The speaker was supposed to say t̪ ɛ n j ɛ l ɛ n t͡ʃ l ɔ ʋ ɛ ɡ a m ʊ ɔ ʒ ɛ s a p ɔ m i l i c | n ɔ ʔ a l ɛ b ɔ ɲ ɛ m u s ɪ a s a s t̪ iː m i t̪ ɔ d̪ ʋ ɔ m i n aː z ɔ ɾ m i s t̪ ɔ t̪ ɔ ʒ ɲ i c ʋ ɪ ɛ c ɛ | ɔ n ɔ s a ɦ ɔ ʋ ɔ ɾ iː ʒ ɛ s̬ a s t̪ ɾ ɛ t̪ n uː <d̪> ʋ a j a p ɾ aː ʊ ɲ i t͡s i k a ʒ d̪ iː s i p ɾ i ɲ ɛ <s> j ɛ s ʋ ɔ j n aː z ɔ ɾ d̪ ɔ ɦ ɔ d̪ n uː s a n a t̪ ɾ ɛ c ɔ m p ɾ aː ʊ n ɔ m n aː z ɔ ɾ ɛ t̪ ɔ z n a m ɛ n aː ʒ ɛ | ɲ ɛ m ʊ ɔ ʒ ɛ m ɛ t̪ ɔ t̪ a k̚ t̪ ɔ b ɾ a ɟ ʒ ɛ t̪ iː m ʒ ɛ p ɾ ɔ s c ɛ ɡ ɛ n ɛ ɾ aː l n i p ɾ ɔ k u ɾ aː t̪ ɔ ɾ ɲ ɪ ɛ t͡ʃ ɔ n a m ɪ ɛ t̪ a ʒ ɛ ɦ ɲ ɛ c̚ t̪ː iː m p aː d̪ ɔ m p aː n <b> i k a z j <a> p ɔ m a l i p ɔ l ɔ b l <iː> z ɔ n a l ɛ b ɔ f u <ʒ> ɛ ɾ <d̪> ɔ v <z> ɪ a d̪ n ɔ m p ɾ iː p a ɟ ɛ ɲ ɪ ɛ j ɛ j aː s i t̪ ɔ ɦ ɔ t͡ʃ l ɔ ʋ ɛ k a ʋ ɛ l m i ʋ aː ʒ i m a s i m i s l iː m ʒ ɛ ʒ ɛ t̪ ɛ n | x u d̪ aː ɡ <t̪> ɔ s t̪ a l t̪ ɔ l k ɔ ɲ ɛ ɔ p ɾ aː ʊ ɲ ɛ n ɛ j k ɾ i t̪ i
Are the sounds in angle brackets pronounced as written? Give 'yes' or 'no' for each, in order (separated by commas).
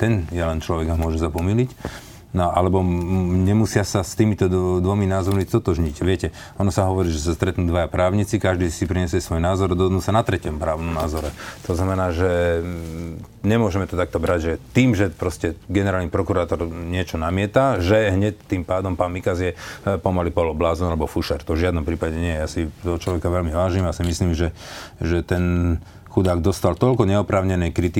yes, yes, no, no, no, no, no, no, no